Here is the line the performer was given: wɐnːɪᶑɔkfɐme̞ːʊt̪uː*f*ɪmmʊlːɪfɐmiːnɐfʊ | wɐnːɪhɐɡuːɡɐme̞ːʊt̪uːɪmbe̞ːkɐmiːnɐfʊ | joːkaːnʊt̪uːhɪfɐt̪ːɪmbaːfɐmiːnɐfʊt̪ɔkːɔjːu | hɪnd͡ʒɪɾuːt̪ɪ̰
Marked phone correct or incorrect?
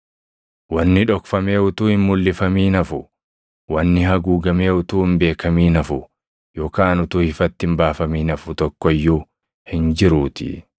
incorrect